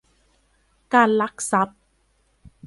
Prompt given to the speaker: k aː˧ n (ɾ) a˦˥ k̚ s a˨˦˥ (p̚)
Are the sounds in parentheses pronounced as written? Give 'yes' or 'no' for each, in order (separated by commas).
no, yes